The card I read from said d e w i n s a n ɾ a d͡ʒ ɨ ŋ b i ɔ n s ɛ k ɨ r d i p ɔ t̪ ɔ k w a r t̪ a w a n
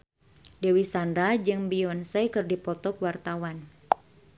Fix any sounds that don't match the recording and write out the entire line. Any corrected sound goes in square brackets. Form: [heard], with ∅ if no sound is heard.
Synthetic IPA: d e w i [∅] s a n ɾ a d͡ʒ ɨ ŋ b i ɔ n s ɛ k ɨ r d i p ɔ t̪ ɔ k w a r t̪ a w a n